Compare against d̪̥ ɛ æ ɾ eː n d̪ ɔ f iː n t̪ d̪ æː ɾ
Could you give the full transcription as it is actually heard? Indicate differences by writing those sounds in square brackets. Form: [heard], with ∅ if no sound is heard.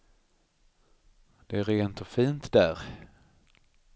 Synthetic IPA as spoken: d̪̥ ɛ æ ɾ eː n [t̪] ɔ f iː n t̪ d̪ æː ɾ

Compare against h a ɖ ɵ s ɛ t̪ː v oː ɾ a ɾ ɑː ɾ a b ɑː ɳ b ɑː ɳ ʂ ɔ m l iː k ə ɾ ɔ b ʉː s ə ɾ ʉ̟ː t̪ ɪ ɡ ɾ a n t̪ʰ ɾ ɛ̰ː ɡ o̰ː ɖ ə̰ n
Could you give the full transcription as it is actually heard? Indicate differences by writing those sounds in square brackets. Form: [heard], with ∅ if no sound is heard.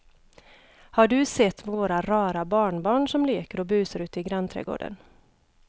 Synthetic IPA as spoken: h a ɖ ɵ s ɛ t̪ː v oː ɾ a ɾ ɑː ɾ a b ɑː ɳ b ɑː ɳ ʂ ɔ m l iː k ə ɾ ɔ b ʉː s ə ɾ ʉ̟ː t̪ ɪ ɡ ɾ a n t̪ʰ ɾ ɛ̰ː ɡ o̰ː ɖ ə̰ n

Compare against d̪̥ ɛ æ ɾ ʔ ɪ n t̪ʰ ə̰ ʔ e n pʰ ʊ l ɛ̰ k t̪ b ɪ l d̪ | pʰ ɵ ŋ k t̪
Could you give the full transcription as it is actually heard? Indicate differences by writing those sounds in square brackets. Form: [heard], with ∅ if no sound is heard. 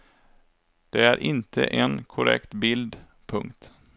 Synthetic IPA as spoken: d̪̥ ɛ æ ɾ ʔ ɪ n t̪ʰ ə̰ ʔ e n [kʰ] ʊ [ɾ] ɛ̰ k t̪ b ɪ l d̪ | pʰ ɵ ŋ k t̪

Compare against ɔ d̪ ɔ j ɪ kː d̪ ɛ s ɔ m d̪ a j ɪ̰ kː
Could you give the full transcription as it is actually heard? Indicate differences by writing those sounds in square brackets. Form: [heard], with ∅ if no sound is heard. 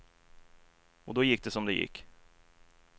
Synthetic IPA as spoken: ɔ d̪ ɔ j ɪ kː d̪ ɛ s ɔ m d̪ [ɛ] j ɪ̰ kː

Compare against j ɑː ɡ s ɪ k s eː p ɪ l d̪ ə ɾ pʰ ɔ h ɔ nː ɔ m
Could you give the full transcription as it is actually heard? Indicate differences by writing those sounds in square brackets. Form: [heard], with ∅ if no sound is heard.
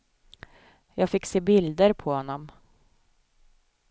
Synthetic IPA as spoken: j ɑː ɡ [f] ɪ k s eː [b] ɪ l d̪ ə ɾ pʰ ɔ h ɔ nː ɔ m

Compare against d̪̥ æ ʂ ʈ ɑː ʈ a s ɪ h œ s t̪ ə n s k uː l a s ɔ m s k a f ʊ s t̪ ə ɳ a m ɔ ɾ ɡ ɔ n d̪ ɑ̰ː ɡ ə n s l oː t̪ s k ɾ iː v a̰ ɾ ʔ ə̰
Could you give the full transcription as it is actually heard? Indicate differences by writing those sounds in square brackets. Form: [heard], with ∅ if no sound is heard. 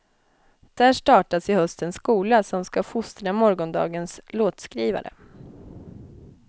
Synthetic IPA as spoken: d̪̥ æ ʂ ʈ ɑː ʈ a s ɪ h œ s t̪ ə n s k uː l a s ɔ m s k a f ʊ s t̪ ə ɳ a m ɔ ɾ ɡ ɔ n d̪ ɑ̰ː ɡ ə n s l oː t̪ s k ɾ iː v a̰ ɾ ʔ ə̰

